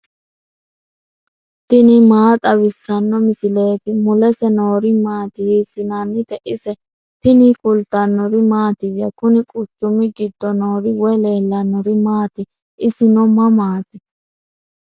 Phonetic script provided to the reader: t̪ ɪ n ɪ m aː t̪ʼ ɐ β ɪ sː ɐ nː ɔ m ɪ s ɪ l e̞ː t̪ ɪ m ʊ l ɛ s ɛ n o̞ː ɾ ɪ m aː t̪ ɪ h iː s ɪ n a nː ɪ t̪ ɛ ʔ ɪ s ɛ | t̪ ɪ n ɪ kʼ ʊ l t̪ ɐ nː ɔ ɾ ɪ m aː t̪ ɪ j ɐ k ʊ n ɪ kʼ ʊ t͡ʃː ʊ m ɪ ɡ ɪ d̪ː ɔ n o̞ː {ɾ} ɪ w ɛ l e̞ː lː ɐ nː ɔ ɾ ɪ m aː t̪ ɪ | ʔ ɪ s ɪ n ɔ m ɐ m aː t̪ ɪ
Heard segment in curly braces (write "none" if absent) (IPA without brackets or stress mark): ɾ